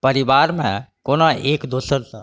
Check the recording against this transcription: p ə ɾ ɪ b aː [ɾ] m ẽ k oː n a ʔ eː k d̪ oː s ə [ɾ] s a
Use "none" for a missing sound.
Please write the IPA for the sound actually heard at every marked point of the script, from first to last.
ɾ, ɾ

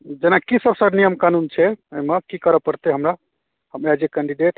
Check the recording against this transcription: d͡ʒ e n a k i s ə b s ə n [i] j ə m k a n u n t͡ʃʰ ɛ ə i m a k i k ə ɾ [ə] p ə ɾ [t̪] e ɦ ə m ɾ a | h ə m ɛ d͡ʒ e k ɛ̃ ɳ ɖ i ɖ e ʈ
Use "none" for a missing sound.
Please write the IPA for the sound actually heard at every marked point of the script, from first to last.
i, ə, t̪

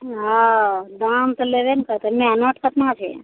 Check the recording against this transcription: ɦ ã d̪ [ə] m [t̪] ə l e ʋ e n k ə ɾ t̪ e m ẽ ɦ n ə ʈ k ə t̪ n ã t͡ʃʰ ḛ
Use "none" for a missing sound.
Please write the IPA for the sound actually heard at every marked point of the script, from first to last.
a, t̪

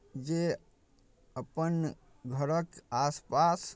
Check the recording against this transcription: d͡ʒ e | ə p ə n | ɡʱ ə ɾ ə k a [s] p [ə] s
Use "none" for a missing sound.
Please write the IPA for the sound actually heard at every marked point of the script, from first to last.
s, a

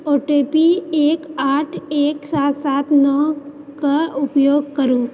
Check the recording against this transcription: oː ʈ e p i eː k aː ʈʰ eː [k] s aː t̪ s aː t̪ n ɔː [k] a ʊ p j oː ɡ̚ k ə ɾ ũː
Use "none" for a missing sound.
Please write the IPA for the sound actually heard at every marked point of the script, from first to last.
k, k

